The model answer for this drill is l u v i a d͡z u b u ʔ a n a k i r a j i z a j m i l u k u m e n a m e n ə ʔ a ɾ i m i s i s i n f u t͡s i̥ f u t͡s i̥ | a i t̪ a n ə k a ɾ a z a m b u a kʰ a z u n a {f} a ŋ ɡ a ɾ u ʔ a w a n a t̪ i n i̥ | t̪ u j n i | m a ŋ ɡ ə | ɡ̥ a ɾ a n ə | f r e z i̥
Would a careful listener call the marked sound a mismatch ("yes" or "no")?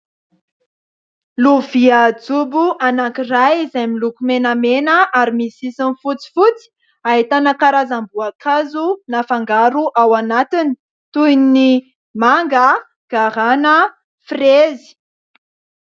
no